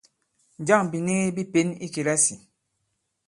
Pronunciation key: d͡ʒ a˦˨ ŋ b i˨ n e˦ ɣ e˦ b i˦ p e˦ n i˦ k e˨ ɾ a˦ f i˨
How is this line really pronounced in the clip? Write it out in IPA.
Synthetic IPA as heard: d͡ʒ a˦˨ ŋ b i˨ n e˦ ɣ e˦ b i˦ p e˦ n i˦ k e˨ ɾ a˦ s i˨

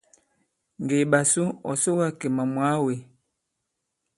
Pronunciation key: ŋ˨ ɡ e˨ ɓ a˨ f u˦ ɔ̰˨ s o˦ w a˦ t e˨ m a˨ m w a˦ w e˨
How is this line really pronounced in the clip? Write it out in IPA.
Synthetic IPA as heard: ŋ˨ ɡ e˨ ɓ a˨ s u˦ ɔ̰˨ s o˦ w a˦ k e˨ m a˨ m w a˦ w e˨

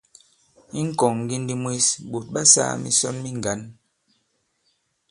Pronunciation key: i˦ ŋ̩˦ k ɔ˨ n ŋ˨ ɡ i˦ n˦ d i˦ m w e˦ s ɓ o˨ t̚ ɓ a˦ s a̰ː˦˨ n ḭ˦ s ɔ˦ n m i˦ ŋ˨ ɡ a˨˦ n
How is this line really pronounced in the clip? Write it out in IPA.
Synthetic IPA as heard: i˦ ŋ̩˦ k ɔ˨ ŋ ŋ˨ ɡ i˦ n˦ d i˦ m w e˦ s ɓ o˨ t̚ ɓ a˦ s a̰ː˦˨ m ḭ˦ s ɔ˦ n m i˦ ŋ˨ ɡ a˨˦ n

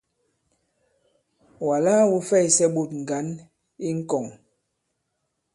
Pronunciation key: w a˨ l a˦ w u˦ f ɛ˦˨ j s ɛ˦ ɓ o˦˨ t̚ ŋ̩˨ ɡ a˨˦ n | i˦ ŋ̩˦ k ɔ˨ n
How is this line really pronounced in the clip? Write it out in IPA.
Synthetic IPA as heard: w a˨ l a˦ w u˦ f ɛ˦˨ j s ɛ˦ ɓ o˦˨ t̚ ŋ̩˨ ɡ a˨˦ n | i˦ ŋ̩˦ k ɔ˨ ŋ

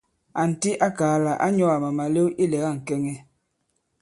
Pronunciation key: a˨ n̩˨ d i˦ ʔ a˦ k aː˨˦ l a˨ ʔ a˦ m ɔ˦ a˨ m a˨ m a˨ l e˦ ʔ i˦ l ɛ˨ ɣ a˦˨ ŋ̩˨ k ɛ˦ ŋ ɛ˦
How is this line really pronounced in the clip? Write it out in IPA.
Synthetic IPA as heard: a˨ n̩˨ t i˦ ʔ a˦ k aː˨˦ l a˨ ʔ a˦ ɲ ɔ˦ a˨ m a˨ m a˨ l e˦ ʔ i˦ l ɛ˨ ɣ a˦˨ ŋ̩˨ k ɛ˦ ŋ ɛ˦

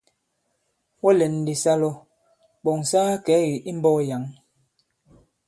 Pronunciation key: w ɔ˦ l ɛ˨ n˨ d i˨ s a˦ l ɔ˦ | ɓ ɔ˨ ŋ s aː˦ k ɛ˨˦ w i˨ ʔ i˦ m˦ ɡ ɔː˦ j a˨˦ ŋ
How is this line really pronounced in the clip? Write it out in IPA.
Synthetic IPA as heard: w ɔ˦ l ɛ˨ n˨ d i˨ s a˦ l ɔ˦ | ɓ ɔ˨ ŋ s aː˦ k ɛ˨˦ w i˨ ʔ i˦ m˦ b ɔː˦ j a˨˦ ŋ

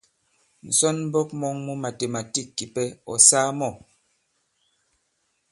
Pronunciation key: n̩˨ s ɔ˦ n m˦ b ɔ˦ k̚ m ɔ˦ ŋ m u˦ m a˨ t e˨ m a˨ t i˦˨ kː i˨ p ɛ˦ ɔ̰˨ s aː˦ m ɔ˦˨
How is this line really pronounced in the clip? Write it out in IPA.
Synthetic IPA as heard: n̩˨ s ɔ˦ n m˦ b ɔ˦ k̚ m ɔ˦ ŋ m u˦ m a˨ t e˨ m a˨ t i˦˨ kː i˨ p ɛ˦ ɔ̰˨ s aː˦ m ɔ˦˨

